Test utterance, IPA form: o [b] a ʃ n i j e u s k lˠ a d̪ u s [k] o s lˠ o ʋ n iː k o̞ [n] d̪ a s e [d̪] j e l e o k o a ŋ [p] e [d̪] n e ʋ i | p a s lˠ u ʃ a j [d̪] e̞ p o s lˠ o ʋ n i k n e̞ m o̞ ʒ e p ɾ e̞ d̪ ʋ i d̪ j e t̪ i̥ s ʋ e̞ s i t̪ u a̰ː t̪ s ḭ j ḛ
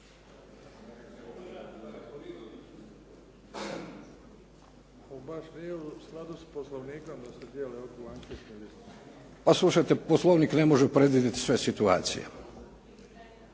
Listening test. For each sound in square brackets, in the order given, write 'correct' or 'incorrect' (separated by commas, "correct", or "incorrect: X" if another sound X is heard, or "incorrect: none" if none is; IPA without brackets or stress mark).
correct, incorrect: p, incorrect: m, correct, incorrect: k, incorrect: t̪, incorrect: t̪